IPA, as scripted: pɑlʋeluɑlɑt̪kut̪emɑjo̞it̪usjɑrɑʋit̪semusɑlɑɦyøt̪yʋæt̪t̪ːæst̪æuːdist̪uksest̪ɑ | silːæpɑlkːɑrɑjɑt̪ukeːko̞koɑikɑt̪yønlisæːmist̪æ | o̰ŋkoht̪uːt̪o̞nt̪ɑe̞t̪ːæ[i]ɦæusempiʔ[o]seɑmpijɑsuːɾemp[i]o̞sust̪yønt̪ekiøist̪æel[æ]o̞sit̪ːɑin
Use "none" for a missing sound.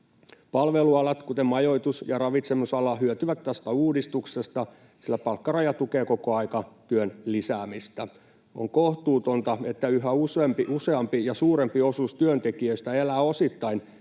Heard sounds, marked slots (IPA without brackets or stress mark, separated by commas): y, u, i, æː